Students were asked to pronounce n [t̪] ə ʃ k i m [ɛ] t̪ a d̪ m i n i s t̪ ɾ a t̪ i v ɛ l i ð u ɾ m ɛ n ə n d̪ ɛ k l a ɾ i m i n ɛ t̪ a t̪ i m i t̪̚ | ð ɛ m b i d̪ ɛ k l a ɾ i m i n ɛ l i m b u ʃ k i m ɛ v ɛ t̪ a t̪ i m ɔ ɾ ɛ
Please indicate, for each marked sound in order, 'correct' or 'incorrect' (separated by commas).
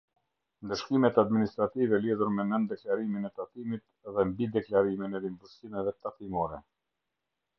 incorrect, correct